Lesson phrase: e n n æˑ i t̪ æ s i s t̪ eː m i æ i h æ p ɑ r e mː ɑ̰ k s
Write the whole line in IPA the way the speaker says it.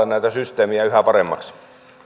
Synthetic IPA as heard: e n n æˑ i t̪ æ s y s t̪ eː m i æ y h æ p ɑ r e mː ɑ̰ k s